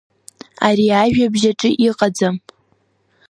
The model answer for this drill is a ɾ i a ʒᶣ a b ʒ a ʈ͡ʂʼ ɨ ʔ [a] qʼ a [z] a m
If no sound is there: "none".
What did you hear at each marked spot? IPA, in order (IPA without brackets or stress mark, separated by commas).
i, d͡z